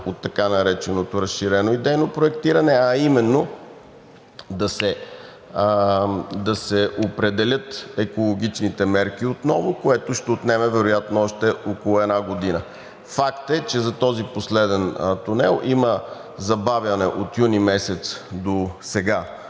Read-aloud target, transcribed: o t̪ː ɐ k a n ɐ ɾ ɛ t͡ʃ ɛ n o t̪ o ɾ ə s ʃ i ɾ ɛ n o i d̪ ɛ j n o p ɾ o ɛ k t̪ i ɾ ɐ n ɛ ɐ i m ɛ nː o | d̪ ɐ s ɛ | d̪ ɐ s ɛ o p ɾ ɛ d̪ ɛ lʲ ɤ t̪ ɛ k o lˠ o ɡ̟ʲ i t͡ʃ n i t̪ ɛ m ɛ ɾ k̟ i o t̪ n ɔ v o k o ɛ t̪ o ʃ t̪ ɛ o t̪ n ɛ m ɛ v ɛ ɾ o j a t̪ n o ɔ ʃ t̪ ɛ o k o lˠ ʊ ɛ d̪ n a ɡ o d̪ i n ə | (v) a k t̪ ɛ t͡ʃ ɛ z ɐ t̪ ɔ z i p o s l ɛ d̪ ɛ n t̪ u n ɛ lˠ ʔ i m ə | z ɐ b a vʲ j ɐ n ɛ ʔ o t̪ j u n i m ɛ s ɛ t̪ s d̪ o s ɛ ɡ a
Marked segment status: incorrect: f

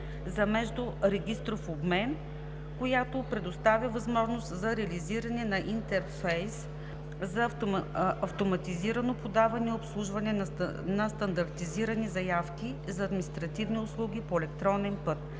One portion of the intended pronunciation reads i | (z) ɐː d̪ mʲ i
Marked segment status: correct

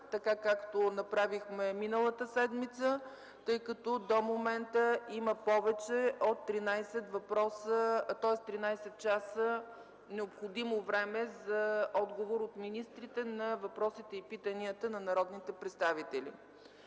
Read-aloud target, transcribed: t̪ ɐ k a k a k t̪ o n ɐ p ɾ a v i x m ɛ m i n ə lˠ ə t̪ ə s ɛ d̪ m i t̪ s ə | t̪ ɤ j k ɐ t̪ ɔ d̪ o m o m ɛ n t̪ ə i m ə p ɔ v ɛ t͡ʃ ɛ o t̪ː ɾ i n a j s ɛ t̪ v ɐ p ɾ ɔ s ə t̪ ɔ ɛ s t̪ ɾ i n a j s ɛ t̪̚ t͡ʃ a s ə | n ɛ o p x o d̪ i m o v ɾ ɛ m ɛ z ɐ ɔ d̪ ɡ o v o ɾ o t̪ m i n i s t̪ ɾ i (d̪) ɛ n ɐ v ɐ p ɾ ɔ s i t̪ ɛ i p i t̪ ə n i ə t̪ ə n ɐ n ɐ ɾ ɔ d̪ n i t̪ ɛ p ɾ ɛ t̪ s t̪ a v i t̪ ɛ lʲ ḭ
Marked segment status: incorrect: t̪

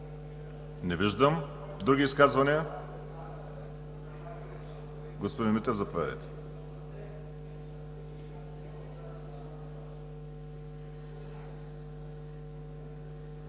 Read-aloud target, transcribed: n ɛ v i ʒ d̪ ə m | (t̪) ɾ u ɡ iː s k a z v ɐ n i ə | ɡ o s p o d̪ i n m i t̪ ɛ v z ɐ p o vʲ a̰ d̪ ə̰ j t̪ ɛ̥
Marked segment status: incorrect: d̪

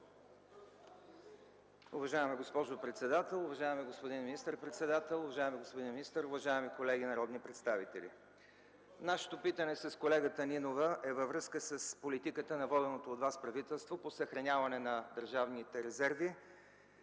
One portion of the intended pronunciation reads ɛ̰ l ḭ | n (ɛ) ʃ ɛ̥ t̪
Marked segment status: incorrect: a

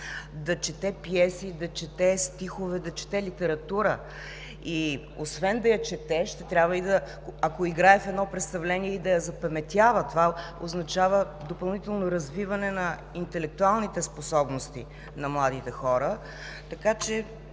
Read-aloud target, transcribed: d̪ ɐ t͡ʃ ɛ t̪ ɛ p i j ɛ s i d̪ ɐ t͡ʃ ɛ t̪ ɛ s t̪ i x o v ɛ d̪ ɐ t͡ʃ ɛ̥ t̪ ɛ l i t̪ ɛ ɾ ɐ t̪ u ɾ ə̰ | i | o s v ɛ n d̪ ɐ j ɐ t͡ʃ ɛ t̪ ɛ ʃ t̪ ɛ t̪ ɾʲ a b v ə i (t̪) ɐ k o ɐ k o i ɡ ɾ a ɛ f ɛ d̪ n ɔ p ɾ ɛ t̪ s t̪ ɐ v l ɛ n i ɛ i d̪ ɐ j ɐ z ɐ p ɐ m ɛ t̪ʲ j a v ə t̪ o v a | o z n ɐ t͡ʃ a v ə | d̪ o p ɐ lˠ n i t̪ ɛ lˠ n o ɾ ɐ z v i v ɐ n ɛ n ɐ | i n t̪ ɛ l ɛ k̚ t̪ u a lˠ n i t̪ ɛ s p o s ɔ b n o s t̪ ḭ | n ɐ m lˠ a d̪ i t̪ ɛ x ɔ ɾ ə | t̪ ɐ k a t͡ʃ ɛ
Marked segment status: incorrect: d̪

